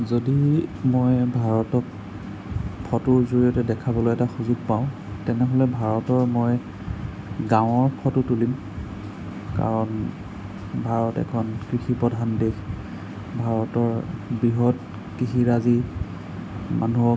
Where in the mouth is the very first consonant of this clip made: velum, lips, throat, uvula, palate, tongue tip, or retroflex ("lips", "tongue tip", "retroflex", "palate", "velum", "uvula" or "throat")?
tongue tip